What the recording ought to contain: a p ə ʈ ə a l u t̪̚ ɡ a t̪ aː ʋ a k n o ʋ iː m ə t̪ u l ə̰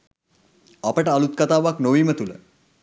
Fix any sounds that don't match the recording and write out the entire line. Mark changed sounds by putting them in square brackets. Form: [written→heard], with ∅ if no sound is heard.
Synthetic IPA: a p ə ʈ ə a l u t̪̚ [ɡ→k] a t̪ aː ʋ a k n o ʋ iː m ə t̪ u l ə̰